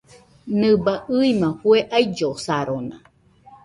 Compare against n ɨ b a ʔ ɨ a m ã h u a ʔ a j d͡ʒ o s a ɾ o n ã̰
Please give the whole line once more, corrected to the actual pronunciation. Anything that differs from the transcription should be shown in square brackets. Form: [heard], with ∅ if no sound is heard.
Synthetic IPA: n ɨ b a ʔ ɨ [i] m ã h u [e] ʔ a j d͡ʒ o s a ɾ o n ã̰